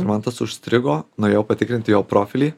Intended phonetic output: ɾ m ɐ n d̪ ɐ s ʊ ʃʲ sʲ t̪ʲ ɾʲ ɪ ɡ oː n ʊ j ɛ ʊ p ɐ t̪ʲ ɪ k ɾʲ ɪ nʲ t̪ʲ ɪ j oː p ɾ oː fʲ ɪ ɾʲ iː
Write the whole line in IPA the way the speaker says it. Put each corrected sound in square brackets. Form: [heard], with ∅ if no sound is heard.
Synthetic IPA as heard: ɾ m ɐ n [t̪] ɐ s ʊ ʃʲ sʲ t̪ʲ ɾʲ ɪ ɡ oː n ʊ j ɛ ʊ p ɐ t̪ʲ ɪ k ɾʲ ɪ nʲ t̪ʲ ɪ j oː p ɾ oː fʲ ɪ [lʲ] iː

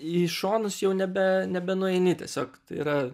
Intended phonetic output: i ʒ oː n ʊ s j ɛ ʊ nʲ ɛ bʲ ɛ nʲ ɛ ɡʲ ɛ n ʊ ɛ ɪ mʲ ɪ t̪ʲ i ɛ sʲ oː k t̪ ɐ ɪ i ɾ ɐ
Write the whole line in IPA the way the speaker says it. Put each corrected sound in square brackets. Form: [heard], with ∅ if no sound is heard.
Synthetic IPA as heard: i [ʃ] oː n ʊ s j ɛ ʊ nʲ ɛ bʲ ɛ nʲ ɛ [bʲ] ɛ n ʊ ɛ ɪ [nʲ] ɪ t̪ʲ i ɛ sʲ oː k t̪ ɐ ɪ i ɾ ɐ

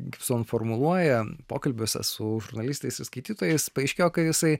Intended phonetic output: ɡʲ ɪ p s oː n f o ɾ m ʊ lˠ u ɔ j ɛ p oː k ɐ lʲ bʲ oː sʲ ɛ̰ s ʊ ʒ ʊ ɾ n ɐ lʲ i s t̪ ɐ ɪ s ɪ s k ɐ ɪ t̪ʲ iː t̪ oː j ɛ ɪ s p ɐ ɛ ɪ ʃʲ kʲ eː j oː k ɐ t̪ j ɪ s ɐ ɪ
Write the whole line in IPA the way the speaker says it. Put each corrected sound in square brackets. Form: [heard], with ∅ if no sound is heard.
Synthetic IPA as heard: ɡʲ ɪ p s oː n f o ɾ m ʊ lˠ u ɔ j ɛ p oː k ɐ lʲ bʲ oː sʲ ɛ̰ s ʊ ʒ ʊ ɾ n ɐ lʲ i s t̪ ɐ ɪ s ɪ s k ɐ ɪ t̪ʲ iː t̪ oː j ɛ ɪ s p ɐ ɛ ɪ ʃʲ kʲ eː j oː k ɐ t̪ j ɪ s ɐ ɪ

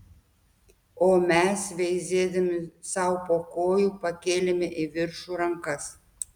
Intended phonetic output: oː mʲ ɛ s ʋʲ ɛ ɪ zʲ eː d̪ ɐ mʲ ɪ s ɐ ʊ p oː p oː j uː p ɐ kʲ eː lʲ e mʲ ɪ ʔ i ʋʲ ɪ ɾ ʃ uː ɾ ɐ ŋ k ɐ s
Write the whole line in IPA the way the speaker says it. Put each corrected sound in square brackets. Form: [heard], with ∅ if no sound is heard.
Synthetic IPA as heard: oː mʲ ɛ s ʋʲ ɛ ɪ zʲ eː d̪ ɐ mʲ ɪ s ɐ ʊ p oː [k] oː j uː p ɐ kʲ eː lʲ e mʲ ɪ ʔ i ʋʲ ɪ ɾ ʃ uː ɾ ɐ ŋ k ɐ s

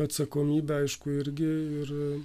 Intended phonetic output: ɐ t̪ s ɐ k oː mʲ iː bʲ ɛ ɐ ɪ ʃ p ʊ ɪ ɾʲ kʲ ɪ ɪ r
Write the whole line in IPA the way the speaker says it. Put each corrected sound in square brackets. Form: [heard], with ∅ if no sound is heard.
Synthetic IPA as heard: ɐ t̪ s ɐ k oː mʲ iː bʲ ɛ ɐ ɪ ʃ [k] ʊ ɪ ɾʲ [ɡʲ] ɪ ɪ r

